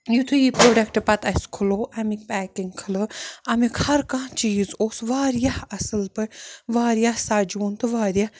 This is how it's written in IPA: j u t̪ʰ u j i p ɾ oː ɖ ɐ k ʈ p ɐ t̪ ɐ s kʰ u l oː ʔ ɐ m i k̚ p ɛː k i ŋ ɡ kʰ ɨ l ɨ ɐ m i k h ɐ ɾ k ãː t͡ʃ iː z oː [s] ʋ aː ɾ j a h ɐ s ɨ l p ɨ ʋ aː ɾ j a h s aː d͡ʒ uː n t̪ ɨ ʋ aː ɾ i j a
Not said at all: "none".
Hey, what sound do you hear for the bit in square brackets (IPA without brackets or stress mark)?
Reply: s